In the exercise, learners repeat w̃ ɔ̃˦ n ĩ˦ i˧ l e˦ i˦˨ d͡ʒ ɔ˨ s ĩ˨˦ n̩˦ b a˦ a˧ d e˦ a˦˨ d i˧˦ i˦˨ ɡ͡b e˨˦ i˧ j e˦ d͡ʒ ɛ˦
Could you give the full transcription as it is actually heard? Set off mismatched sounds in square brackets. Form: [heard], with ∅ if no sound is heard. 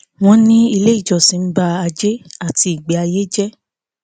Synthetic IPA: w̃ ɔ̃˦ n ĩ˦ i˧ l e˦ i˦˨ d͡ʒ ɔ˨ s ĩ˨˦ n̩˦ b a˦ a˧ [d͡ʒ] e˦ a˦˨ [t] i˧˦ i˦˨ ɡ͡b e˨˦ [a˧] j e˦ d͡ʒ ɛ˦